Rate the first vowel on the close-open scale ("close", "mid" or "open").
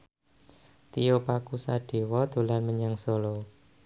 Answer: close